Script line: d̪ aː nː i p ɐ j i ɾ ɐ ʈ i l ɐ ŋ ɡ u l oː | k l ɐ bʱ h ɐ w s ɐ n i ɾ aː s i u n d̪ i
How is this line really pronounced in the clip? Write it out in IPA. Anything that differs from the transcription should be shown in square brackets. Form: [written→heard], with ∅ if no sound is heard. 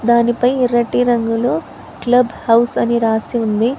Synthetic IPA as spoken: d̪ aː [nː→n] i p ɐ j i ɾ ɐ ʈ i [l→ɾ] ɐ ŋ ɡ u l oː | k l ɐ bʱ h ɐ w s ɐ n i ɾ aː s i u n d̪ i